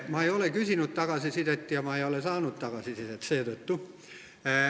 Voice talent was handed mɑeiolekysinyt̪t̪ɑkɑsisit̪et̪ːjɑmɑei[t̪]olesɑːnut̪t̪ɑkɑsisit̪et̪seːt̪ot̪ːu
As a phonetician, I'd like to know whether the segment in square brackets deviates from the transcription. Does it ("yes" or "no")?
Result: yes